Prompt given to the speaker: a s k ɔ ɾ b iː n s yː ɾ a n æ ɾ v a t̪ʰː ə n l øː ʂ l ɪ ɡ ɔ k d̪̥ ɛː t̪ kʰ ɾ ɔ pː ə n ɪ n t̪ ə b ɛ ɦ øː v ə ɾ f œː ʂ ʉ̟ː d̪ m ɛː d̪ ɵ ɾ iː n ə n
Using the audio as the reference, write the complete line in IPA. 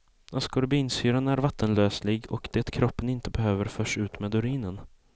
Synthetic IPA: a s k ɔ ɾ b iː n s yː ɾ a n æ ɾ v a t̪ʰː ə n l øː s l ɪ ɡ ɔ k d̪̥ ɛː t̪ kʰ ɾ ɔ pː ə n ɪ n t̪ ə b ɛ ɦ øː v ə ɾ f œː ʂ ʉ̟ː t̪ m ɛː d̪ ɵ ɾ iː n ə n